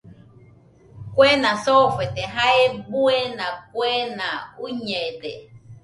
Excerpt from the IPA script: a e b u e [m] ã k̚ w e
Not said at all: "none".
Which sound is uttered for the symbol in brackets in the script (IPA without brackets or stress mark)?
n